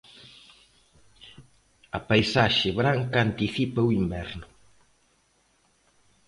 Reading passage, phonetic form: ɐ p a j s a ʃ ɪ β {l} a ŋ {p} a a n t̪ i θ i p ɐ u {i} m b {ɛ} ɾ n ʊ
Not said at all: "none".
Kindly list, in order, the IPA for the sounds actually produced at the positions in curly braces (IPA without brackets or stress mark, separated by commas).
ɾ, k, i, ɛ